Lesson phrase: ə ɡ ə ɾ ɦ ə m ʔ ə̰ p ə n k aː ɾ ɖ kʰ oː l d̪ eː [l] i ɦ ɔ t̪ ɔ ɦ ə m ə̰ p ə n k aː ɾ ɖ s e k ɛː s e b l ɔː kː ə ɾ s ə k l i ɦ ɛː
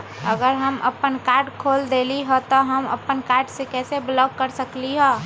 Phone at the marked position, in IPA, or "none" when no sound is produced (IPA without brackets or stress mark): l